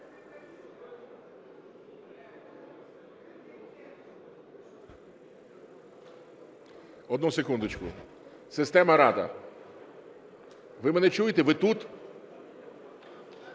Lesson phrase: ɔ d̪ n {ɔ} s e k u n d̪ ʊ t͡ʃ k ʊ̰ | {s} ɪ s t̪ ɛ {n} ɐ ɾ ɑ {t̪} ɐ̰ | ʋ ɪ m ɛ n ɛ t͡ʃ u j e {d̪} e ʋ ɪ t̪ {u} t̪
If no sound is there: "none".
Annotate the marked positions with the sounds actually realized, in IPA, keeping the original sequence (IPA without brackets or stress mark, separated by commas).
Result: u, s, m, d̪, t̪, u